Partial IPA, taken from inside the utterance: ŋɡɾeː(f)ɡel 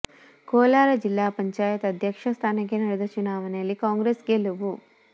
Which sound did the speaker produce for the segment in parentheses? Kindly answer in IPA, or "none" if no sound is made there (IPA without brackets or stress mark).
s